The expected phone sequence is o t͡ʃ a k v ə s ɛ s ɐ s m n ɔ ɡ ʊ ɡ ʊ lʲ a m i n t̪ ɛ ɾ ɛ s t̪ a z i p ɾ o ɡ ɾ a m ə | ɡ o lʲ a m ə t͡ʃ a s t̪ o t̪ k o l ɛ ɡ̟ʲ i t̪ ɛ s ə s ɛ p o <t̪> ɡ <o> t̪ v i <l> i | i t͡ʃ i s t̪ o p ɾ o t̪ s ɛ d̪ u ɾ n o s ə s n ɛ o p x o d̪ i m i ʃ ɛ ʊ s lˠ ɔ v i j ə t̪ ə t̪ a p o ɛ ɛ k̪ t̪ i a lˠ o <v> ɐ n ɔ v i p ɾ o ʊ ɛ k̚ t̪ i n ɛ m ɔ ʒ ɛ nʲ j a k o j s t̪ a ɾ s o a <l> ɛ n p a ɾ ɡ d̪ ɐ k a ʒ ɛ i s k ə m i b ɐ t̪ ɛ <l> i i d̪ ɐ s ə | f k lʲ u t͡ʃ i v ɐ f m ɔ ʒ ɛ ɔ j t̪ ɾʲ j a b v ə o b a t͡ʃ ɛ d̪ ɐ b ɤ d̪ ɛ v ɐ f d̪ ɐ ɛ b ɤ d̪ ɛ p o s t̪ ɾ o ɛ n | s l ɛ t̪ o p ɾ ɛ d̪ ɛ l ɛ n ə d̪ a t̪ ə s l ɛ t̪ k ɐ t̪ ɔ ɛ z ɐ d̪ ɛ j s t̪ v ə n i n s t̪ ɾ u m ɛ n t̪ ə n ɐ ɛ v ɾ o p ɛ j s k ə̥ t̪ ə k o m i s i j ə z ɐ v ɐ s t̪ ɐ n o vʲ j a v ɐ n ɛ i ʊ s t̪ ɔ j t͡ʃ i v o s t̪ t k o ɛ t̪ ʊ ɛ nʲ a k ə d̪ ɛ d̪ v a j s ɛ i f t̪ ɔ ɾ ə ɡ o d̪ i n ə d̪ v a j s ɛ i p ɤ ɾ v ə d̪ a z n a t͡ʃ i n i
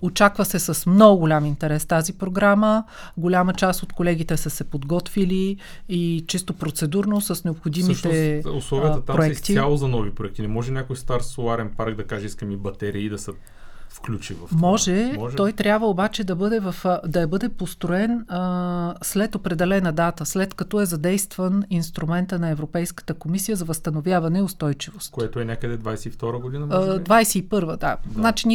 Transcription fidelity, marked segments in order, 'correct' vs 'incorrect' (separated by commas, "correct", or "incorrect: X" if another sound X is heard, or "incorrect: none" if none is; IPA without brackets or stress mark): incorrect: d̪, incorrect: ɔ, correct, incorrect: z, incorrect: ɾ, incorrect: ɾ